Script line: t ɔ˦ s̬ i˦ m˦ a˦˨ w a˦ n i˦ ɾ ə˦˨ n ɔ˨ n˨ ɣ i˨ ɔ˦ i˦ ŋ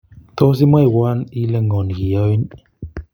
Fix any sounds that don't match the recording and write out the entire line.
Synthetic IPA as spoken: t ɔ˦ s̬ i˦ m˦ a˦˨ w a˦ n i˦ l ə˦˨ ŋ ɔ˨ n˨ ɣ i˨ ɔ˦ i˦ n